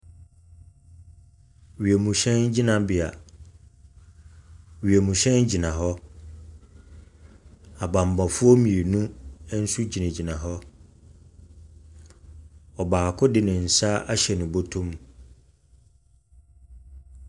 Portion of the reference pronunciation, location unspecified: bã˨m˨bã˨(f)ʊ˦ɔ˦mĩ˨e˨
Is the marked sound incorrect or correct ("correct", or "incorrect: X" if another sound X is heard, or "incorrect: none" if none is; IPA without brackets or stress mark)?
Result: correct